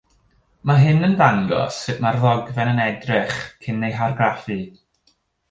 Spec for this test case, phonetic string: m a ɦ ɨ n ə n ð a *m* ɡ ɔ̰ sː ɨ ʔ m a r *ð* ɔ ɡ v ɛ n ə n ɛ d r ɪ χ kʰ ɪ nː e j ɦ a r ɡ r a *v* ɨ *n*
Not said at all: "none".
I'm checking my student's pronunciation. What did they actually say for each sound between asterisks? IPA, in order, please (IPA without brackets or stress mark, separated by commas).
ŋ, ð, f, none